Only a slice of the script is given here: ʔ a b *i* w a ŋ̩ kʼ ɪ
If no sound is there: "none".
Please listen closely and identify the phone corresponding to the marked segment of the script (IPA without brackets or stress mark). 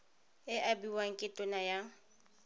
i